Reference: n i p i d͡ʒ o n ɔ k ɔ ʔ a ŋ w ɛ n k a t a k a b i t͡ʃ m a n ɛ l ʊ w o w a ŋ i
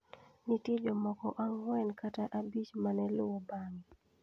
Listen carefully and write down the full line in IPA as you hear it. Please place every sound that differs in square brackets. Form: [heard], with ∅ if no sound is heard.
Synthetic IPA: n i [t] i d͡ʒ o [m] ɔ k ɔ ʔ a ŋ w ɛ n k a t a [ʔ] a b i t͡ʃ m a n ɛ l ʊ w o [b] a ŋ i